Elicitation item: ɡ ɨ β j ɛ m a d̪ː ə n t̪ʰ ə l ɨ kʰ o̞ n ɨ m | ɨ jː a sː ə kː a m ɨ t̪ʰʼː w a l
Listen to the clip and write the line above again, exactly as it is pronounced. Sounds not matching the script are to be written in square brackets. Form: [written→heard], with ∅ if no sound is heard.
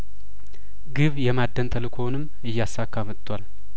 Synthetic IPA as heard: ɡ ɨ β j ɛ m a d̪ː ə n t̪ʰ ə l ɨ kʰ o̞ n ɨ m | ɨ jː a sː [ə→a] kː a m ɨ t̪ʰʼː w a l